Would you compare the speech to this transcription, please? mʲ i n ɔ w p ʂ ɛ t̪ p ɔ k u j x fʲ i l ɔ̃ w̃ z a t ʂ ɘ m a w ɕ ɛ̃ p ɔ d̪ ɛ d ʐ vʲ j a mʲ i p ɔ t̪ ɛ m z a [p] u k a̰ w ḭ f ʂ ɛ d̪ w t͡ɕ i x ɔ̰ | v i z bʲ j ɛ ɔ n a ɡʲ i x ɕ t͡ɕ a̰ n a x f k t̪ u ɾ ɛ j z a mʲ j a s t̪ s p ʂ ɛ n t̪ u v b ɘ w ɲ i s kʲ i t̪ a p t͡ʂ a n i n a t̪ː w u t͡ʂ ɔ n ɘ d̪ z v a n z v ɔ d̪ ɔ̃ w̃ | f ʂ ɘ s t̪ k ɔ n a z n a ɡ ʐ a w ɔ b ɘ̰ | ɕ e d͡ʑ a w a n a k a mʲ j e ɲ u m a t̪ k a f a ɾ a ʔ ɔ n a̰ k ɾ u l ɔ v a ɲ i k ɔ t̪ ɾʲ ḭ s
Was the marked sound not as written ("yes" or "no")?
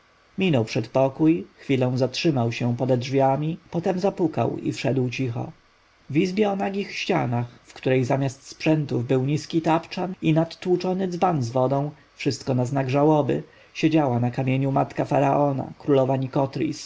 no